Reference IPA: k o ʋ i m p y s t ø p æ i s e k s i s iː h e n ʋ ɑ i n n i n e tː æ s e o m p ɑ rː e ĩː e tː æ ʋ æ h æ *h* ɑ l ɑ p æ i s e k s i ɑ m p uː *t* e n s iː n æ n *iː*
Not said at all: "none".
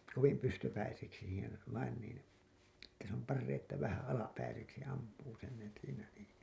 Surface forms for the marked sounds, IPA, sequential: none, s, iː

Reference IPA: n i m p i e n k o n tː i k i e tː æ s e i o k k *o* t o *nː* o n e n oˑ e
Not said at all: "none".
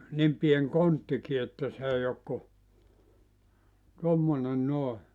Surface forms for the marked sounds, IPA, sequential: u, mː

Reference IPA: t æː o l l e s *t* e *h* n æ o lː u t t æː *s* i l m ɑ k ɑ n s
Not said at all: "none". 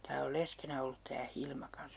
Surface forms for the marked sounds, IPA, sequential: k, none, h

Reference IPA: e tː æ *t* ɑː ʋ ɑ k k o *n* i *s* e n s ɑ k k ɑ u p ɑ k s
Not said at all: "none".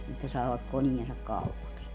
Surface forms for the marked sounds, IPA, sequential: s, n, none

